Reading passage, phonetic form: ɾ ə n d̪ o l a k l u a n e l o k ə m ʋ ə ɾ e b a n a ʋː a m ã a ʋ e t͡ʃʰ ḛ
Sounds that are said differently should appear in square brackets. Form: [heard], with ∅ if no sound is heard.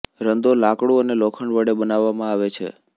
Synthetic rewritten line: ɾ ə n d̪ o l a k [ɽ] u [ə] n e l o [kʰ] ə [ɳ] ʋ ə [ɽ] e b [ə] n a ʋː a m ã a ʋ e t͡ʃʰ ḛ